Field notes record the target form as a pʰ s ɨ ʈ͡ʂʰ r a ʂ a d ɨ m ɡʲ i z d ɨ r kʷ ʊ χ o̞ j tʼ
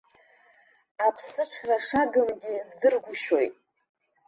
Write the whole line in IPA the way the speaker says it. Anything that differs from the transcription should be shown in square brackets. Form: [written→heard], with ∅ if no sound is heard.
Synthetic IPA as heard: a pʰ s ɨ ʈ͡ʂʰ r a ʂ a [d→ɡ] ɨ m ɡʲ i z d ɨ r [kʷ→ɡʷ] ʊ [χ→ʃ] o̞ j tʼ